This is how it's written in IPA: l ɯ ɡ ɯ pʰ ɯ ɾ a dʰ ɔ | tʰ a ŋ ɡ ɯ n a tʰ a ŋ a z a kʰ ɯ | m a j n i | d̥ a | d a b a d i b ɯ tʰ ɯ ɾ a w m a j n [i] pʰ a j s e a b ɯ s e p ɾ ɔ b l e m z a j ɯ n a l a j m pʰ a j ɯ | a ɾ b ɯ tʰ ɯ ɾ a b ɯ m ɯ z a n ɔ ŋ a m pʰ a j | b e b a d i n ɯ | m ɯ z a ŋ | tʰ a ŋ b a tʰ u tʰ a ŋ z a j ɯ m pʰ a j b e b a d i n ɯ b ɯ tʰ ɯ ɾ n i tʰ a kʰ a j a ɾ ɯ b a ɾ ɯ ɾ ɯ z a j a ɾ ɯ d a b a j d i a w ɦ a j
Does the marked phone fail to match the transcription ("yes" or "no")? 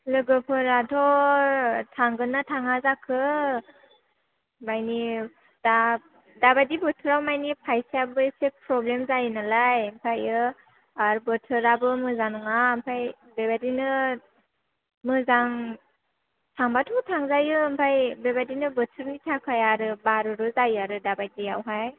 no